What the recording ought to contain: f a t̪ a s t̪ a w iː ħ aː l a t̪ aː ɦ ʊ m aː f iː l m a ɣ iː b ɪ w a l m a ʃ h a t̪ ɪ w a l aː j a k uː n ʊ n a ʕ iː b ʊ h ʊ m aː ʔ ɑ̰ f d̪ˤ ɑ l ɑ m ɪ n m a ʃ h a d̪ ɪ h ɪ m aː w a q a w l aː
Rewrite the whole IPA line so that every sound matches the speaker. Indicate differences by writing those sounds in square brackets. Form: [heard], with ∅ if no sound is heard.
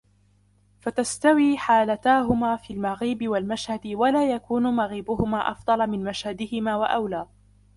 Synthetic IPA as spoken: f a t̪ a s t̪ a w iː ħ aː l a t̪ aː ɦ ʊ m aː f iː l m a ɣ iː b ɪ w a l m a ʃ h a [d̪] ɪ w a l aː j a k uː n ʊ [m] a [ɣ] iː b ʊ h ʊ m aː ʔ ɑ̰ f d̪ˤ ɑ l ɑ m ɪ n m a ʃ h a d̪ ɪ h ɪ m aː w a [ʔ] a w l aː